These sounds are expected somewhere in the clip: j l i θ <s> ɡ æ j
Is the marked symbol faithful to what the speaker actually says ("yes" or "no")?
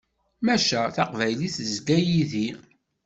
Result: no